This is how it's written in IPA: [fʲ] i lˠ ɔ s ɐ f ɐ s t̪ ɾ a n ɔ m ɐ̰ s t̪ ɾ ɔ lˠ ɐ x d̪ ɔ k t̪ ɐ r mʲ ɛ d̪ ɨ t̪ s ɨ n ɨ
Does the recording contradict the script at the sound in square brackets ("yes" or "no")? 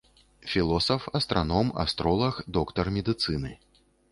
no